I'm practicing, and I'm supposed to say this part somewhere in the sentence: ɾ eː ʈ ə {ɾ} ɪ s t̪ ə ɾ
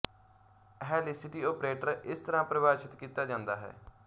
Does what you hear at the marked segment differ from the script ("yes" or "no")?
no